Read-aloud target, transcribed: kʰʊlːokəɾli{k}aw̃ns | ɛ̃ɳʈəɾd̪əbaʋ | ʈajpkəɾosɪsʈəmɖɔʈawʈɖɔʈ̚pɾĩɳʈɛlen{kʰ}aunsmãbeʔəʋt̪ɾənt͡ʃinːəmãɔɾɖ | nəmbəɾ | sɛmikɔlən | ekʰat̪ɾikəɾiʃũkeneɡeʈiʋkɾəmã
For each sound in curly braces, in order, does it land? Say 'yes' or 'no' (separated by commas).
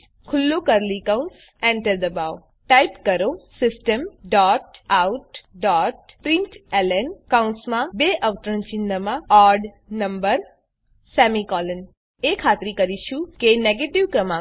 yes, no